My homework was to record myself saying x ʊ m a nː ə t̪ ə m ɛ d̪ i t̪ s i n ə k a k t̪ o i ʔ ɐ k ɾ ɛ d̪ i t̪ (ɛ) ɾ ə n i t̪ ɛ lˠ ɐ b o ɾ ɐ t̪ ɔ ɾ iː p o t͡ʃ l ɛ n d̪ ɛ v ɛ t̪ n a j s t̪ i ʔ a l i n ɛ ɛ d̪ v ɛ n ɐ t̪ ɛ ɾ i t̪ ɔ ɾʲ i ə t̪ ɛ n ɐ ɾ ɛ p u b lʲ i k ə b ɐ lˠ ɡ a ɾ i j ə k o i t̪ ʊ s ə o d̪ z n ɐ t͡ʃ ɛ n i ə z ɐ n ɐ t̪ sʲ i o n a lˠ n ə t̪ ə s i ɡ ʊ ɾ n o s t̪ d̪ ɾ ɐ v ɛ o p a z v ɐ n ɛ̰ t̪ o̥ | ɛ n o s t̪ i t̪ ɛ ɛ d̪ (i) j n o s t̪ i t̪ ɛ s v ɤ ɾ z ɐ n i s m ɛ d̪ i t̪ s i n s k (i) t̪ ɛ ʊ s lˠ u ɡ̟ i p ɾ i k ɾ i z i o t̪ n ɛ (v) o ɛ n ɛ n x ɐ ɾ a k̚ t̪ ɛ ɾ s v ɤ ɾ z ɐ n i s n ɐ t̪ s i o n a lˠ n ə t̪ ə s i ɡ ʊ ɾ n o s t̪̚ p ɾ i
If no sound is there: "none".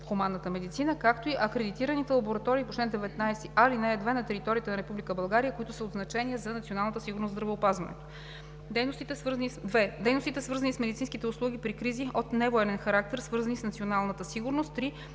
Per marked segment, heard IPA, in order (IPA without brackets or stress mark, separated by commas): i, ɛ, i, v